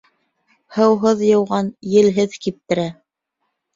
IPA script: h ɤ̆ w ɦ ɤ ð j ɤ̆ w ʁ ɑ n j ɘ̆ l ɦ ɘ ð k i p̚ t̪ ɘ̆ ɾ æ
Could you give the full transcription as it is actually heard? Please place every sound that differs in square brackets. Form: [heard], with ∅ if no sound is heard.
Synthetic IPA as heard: h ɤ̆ w ɦ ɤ ð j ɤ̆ w ʁ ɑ n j ɘ̆ l ɦ ɘ ð k i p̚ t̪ ɘ̆ ɾ æ